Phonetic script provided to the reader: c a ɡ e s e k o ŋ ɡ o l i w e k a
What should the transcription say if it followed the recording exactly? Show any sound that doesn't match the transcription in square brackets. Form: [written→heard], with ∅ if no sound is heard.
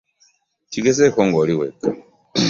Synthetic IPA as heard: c [a→i] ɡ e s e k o ŋ ɡ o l i w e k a